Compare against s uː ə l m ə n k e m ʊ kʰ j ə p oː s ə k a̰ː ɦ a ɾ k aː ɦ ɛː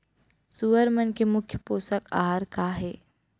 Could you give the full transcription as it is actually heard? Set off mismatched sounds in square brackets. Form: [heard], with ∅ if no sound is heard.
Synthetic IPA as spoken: s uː ə [ɾ] m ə n k e m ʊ kʰ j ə p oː s ə k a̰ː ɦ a ɾ k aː ɦ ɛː